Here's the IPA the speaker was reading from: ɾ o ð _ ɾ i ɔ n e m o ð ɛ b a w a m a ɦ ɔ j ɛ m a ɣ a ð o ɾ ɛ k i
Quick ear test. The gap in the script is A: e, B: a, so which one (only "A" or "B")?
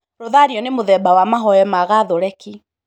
B